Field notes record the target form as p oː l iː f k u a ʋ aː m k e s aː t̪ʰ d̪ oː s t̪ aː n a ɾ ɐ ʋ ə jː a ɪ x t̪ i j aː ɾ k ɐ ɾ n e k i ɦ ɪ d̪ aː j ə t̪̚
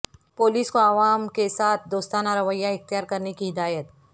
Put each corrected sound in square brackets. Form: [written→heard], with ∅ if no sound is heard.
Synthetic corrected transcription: p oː l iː [f→s] k [u→o] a ʋ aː m k e s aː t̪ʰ d̪ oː s t̪ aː n a ɾ ɐ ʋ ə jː a ɪ x t̪ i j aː ɾ k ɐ ɾ n e k i ɦ ɪ d̪ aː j ə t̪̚